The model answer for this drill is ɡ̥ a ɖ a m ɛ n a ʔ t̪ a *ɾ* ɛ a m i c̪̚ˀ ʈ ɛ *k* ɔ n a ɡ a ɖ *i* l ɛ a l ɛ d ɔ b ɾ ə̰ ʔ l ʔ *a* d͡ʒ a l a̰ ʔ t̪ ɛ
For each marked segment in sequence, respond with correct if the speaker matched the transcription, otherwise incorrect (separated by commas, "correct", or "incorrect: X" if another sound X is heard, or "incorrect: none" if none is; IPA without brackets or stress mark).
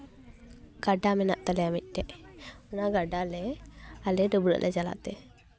incorrect: l, incorrect: ʔ, incorrect: a, incorrect: ɛ